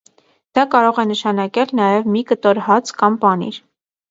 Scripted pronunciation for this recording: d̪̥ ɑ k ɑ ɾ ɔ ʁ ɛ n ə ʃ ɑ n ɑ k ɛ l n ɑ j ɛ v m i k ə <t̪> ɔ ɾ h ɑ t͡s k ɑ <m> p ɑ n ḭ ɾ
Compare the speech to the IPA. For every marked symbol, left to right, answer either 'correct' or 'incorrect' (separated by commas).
correct, correct